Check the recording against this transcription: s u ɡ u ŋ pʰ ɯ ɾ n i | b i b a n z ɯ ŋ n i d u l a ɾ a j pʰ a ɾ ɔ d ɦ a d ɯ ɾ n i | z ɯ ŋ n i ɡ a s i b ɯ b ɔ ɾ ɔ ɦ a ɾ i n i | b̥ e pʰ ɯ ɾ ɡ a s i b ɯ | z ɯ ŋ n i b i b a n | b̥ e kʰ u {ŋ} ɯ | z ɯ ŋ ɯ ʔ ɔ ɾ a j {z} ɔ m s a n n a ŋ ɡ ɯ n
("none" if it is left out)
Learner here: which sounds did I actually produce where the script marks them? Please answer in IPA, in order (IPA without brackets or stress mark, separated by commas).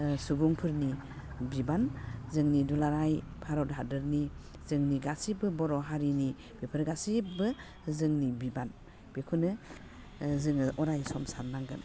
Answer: n, s